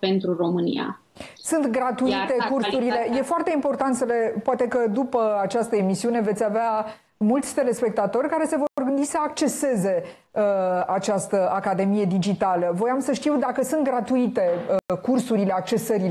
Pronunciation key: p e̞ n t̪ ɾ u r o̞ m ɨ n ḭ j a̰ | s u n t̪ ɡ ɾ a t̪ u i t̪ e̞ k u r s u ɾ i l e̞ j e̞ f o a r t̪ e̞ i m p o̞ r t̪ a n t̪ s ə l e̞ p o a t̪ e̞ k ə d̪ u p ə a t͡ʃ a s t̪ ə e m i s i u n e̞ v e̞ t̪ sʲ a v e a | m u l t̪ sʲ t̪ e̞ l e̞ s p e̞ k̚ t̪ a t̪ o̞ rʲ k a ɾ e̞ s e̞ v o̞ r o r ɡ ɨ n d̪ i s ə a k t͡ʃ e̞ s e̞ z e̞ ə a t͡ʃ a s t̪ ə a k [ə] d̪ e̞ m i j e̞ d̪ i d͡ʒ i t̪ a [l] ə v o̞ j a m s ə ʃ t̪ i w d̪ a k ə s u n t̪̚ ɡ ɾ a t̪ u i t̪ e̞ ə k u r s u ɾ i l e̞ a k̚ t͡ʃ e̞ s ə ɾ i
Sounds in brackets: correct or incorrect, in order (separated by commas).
incorrect, correct